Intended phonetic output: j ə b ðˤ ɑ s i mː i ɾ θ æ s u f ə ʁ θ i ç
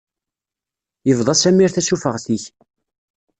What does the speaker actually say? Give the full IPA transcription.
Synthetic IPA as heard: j ə v ðˤ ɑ s æ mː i ɾ θ æ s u f ə ʁ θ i ç